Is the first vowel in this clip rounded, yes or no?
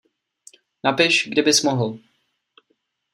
no